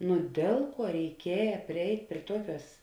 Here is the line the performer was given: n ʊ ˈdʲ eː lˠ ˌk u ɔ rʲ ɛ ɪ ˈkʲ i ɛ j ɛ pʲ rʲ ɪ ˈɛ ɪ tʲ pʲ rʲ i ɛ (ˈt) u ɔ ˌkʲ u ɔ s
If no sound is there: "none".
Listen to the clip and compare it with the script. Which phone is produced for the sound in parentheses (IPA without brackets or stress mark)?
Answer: t